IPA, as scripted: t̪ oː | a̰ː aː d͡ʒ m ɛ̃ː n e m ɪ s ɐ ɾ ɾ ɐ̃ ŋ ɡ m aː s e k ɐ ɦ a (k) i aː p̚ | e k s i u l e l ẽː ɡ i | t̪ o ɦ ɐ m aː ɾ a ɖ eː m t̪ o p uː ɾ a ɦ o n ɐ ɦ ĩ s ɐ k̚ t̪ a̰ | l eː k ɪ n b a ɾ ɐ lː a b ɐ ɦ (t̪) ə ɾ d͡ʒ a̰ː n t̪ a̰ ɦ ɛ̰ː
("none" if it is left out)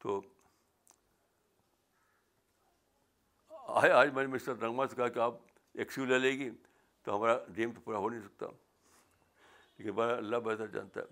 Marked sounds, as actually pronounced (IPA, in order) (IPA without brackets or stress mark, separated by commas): k, t̪